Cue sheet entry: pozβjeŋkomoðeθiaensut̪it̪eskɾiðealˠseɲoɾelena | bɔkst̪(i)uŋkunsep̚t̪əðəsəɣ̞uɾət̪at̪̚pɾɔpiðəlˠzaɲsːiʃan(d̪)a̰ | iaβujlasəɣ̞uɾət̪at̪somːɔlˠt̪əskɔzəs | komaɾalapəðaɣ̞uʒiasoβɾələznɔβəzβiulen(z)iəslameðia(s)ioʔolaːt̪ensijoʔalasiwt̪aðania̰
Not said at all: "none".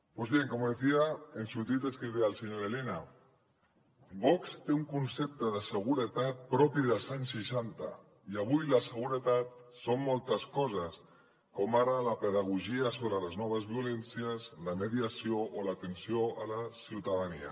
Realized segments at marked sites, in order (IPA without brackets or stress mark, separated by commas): e, t̪, s, s